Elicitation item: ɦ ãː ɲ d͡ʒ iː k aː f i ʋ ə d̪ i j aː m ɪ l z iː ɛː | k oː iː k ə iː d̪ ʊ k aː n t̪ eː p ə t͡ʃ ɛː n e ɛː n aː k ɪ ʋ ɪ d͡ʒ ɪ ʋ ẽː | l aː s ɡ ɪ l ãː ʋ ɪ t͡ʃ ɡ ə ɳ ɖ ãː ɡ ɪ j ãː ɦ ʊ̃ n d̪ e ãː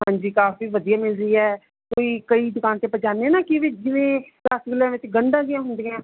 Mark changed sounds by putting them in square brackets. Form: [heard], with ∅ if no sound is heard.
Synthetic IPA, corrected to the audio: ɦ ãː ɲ d͡ʒ iː k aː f [iː] ʋ ə d̪ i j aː m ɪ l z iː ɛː | k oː iː k ə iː d̪ ʊ k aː n t̪ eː p ə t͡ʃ [aː] n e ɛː n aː k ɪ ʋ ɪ d͡ʒ ɪ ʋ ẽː | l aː s ɡ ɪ l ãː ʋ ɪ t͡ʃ ɡ ə ɳ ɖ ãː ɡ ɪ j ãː ɦ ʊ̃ n d̪ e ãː